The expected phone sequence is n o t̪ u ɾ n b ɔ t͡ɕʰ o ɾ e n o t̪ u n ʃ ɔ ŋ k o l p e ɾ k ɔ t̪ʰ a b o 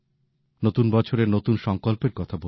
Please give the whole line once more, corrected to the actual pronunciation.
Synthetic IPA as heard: n o t̪ u n b ɔ t͡ɕʰ o ɾ e n o t̪ u n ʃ ɔ ŋ k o l p e ɾ k ɔ t̪ʰ a b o